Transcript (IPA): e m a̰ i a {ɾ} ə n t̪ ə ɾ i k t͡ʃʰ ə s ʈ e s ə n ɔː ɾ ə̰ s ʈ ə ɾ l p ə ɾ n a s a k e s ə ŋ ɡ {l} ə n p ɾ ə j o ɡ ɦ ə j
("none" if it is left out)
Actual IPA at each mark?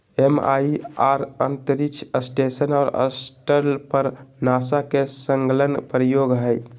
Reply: ɾ, l

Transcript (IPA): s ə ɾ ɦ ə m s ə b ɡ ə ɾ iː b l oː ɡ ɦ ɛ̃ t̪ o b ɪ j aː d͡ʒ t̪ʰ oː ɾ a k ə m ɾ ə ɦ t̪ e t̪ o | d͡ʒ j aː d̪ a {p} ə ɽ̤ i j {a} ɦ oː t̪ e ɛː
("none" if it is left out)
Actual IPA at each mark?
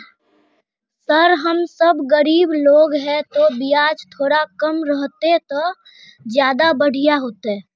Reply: b, a

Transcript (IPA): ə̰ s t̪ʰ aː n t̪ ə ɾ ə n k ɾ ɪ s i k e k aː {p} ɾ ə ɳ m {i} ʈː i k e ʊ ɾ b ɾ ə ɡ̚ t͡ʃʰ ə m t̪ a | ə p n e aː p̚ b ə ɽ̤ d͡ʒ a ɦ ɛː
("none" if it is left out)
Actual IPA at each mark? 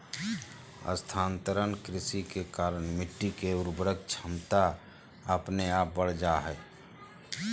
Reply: none, ɪ

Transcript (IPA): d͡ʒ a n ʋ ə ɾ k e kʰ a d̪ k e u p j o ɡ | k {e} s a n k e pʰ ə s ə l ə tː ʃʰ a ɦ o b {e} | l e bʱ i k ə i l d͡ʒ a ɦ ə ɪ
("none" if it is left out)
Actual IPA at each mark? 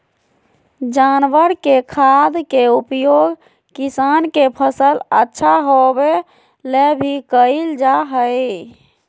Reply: i, e

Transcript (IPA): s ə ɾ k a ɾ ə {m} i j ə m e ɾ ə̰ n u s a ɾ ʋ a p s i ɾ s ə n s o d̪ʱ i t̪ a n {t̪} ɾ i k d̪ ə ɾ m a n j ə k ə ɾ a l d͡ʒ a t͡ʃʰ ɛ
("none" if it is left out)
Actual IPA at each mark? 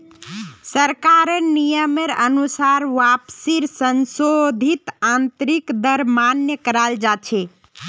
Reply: n, t̪

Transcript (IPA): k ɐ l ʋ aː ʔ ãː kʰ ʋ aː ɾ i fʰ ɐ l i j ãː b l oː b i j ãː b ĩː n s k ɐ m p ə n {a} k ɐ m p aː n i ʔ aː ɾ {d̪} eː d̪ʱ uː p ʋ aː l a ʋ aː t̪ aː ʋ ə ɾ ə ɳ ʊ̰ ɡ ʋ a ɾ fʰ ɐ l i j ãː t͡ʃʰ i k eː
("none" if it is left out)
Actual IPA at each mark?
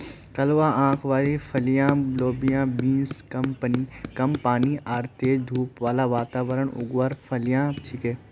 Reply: i, t̪

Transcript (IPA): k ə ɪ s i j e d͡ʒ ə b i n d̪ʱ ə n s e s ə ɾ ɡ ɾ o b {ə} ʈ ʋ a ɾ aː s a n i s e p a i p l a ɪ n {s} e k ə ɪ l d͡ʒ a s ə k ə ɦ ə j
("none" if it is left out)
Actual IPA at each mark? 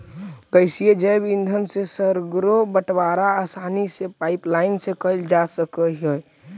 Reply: ə, s

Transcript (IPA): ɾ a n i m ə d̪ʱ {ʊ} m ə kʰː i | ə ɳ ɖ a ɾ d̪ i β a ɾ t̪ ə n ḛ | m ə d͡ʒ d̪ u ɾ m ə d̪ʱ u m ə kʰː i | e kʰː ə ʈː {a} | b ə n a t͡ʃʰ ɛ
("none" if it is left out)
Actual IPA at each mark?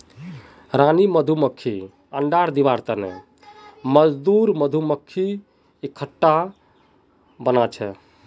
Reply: u, a

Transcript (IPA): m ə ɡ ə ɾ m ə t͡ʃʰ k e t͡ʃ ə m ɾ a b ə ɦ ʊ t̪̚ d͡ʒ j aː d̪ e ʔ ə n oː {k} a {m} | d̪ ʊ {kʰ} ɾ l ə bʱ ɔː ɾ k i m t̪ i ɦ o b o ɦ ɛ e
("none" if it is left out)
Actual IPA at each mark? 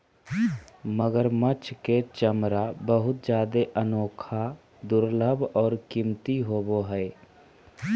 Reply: kʰ, none, none

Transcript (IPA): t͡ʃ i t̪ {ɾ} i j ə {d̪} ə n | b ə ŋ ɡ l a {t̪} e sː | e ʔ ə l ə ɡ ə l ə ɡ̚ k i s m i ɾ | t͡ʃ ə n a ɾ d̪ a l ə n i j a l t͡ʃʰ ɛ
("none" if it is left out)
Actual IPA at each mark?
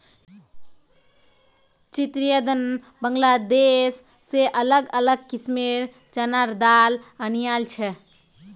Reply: ɾ, d̪, d̪

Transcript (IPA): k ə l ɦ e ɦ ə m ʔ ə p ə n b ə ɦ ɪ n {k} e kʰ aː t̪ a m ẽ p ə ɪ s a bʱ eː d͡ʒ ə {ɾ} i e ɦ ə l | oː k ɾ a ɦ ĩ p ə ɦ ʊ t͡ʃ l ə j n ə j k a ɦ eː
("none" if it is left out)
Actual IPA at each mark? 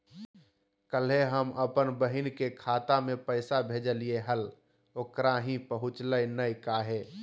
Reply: k, l

